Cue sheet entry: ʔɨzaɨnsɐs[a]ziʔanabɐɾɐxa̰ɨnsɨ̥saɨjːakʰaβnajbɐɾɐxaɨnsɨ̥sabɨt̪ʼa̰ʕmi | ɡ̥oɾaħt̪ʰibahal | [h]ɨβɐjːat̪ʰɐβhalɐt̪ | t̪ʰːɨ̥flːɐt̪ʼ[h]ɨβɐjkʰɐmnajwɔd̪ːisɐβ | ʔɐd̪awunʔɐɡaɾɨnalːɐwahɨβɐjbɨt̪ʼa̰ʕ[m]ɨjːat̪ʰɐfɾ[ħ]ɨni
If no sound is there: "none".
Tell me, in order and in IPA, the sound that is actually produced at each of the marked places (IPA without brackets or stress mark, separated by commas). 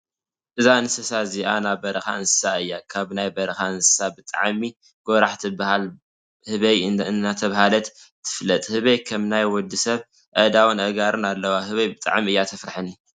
a, h, h, m, ħ